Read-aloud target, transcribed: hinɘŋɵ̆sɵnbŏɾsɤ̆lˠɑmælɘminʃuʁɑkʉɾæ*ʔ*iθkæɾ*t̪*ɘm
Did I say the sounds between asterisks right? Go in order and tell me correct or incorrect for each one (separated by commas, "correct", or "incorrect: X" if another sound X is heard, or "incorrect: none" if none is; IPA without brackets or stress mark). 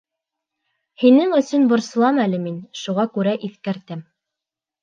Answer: correct, correct